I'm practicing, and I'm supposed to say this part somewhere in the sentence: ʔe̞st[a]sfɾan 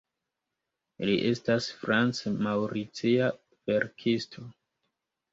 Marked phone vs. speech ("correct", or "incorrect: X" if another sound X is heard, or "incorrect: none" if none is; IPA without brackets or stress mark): correct